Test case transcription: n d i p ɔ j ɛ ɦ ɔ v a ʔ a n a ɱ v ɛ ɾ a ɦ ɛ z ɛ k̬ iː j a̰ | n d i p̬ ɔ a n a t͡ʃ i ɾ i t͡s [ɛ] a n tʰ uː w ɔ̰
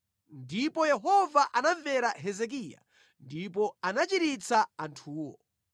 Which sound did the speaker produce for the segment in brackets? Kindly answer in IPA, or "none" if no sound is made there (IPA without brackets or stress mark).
a